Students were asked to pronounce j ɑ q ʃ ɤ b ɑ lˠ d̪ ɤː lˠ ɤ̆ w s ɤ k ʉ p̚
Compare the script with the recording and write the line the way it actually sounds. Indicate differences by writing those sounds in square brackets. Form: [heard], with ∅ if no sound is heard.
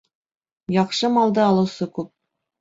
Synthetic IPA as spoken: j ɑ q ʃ ɤ [m] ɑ lˠ d̪ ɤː lˠ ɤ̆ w s ɤ k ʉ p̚